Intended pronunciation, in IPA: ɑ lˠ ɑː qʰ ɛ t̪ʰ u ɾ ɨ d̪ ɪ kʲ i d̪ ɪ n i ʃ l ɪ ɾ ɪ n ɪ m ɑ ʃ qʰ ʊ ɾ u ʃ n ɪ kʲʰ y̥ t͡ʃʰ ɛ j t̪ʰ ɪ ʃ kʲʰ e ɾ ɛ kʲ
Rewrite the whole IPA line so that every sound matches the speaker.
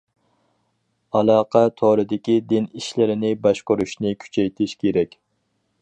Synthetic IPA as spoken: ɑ lˠ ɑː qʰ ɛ t̪ʰ o ɾ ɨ d̪ ɪ kʲ i d̪ ɪ n i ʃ l ɪ ɾ ɪ n ɪ b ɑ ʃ q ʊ ɾ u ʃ n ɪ kʲʰ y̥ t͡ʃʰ ɛ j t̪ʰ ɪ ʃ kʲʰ e ɾ ɛ kʲ